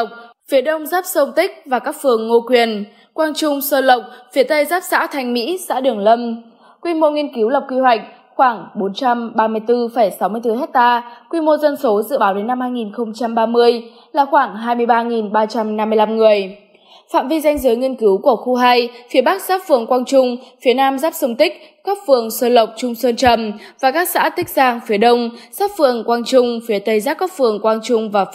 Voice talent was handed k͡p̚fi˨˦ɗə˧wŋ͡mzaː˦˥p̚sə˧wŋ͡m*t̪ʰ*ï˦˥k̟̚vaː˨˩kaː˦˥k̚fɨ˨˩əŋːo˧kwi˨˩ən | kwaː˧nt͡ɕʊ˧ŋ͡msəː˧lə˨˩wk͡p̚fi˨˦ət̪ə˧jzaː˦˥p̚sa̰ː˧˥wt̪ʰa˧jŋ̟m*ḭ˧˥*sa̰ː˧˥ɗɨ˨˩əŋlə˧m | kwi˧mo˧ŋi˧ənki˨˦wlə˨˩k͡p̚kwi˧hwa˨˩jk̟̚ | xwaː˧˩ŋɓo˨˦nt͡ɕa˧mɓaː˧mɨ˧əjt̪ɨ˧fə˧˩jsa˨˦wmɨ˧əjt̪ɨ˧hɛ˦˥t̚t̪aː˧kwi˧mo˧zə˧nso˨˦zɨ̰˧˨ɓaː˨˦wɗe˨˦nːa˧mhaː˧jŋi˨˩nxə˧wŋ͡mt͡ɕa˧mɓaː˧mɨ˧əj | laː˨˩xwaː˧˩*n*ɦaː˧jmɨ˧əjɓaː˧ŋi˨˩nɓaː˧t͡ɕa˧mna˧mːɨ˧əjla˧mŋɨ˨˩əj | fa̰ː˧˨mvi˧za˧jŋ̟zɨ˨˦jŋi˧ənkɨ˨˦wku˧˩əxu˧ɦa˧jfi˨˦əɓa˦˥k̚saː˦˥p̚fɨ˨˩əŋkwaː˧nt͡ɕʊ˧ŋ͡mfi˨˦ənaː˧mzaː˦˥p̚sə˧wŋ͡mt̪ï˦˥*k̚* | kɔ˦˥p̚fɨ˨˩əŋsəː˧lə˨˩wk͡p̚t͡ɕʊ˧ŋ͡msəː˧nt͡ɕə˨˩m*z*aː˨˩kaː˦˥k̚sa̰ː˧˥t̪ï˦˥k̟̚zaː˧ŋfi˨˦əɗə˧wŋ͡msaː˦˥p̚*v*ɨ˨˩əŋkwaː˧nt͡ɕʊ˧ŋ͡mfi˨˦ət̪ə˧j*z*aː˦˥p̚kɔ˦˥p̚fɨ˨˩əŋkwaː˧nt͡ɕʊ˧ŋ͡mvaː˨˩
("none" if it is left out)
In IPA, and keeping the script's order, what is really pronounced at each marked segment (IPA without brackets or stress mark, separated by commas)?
t̪, ḭ˧˥, ŋ, k̚, v, f, z